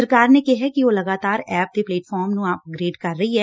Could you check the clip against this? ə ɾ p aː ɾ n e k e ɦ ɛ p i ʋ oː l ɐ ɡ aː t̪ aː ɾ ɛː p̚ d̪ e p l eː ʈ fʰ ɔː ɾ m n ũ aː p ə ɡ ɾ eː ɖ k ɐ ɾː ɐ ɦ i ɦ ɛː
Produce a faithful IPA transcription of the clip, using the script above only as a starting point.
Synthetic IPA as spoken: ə ɾ k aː ɾ n e k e ɦ ɛ k i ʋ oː l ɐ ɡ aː t̪ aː ɾ ɛː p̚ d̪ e p l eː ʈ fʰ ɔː ɾ m n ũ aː p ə ɡ ɾ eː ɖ k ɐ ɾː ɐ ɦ i ɦ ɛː

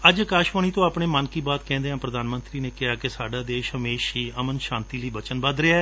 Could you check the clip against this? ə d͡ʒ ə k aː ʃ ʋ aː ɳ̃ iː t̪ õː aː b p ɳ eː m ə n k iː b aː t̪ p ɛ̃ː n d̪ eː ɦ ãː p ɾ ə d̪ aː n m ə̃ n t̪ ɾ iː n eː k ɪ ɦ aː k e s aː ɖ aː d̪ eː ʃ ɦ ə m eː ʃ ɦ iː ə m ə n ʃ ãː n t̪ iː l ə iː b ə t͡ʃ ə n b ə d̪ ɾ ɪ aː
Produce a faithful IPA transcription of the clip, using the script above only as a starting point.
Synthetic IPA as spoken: ə d͡ʒ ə k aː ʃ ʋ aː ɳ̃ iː t̪ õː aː p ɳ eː m ə n k iː b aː t̪ k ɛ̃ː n d̪ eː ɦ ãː p ɾ ə d̪ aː n m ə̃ n t̪ ɾ iː n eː k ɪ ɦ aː k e s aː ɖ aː d̪ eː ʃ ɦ ə m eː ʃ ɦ iː ə m ə n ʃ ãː n t̪ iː l ə iː b ə t͡ʃ ə n b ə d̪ ɾ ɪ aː

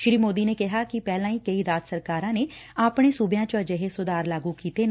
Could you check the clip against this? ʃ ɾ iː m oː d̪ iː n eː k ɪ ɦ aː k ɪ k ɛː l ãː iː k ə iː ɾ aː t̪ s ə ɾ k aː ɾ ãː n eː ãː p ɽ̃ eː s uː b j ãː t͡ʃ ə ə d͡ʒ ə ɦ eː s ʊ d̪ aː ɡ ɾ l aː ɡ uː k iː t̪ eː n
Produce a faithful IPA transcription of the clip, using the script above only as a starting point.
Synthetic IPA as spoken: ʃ ɾ iː m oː d̪ iː n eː k ɪ ɦ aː k ɪ p ɛː l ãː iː k ə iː ɾ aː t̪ s ə ɾ k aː ɾ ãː n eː aː p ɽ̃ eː s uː b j ãː t͡ʃ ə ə d͡ʒ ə ɦ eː s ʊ d̪ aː ɾ l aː ɡ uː k iː t̪ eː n

